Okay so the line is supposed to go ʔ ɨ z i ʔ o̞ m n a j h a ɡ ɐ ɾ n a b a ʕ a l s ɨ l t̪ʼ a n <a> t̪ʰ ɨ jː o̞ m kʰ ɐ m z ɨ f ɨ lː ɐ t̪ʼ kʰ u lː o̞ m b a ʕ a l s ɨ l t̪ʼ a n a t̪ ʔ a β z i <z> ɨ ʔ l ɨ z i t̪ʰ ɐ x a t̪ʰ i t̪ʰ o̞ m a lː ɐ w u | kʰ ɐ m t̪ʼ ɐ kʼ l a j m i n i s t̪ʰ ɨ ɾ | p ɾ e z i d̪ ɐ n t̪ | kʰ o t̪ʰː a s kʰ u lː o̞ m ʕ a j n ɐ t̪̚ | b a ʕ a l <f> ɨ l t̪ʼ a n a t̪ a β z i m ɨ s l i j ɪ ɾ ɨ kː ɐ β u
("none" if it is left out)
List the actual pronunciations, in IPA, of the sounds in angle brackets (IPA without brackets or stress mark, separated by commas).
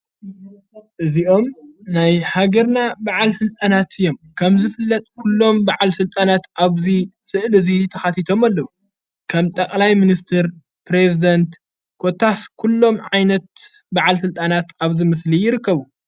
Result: a, s, s